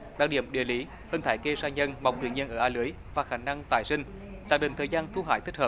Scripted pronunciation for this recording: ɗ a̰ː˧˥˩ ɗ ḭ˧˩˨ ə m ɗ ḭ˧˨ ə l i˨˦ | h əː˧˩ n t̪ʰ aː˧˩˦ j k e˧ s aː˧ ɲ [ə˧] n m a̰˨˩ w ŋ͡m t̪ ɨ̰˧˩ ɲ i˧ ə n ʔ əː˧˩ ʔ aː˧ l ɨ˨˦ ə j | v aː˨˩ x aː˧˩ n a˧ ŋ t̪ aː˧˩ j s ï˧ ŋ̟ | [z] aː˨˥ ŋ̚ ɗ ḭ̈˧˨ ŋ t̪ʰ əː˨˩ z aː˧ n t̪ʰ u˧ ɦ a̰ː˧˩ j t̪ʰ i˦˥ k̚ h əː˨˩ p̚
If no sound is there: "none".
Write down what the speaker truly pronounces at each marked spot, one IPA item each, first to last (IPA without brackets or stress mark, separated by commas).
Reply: ə˧, z